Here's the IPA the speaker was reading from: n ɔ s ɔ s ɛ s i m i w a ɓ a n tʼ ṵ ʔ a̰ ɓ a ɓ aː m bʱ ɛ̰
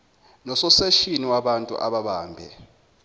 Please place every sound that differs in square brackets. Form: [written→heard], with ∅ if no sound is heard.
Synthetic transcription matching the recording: n ɔ s ɔ s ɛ [s→ʃ] i [m→n] i w a ɓ a n tʼ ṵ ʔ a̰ ɓ a ɓ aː m bʱ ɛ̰